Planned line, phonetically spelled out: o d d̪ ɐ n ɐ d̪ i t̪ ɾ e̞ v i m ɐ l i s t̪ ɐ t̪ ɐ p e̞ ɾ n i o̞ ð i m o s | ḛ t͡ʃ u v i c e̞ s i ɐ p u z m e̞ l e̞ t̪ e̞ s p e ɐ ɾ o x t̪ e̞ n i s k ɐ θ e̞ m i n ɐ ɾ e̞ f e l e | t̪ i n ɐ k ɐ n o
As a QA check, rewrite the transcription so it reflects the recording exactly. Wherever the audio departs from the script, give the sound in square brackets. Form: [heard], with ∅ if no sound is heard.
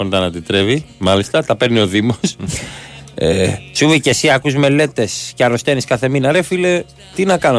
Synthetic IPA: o [n] d̪ ɐ n ɐ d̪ i t̪ ɾ e̞ v i m ɐ l i s t̪ ɐ t̪ ɐ p e̞ ɾ n i o̞ ð i m o s | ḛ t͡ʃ u v i c e̞ s i ɐ [k] u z m e̞ l e̞ t̪ e̞ s [c] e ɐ ɾ o [s] t̪ e̞ n i s k ɐ θ e̞ m i n ɐ ɾ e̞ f [i] l e | t̪ i n ɐ k ɐ n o